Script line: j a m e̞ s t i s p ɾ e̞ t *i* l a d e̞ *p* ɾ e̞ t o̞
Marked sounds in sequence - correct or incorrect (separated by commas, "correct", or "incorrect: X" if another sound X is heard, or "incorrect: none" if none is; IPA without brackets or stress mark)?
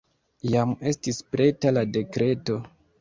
incorrect: a, incorrect: k